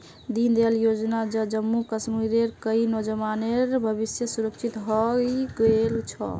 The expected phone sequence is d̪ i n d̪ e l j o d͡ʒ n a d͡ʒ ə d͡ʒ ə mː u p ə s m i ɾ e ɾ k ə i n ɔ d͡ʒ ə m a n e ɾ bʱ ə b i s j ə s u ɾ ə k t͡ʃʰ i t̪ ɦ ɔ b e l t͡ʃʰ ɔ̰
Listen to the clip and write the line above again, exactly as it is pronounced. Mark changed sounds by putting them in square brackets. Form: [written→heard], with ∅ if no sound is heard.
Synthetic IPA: d̪ i n d̪ e l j o d͡ʒ n a d͡ʒ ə d͡ʒ ə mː u [p→k] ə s m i ɾ e ɾ k ə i n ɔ d͡ʒ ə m a n e ɾ bʱ ə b i s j ə s u ɾ ə k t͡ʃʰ i t̪ ɦ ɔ [b→ɡ] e l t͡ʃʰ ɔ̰